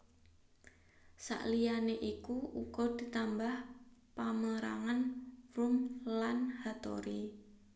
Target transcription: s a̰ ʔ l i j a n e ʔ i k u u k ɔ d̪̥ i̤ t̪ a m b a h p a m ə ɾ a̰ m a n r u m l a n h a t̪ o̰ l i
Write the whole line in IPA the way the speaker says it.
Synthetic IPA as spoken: s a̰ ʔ l i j a n e ʔ i k u u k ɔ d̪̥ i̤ t̪ a m b a h p a m ə ɾ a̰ ŋ a n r u m l a n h a t̪ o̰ ɾ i